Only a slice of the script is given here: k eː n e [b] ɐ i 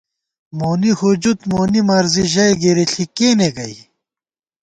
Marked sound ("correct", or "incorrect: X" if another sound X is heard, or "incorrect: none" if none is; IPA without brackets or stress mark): incorrect: ɡ